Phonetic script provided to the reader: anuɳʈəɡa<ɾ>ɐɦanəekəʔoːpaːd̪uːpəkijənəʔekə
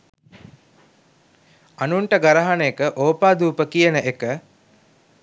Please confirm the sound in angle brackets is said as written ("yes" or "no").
yes